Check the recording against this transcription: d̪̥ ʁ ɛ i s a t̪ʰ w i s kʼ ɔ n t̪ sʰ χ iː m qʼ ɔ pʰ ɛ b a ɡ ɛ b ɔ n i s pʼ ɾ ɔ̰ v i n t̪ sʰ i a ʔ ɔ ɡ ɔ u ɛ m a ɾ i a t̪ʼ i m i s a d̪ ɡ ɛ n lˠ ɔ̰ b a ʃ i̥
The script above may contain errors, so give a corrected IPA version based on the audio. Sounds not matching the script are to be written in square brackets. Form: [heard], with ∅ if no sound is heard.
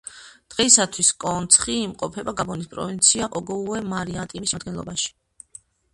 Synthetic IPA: d̪̥ ʁ ɛ i s a t̪ʰ w i s kʼ ɔ n t̪ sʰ χ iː m qʼ ɔ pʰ ɛ b a ɡ [a] b ɔ n i s pʼ ɾ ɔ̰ v i n t̪ sʰ i a ʔ ɔ ɡ ɔ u ɛ m a ɾ i a t̪ʼ i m i s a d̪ ɡ ɛ n lˠ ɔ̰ b a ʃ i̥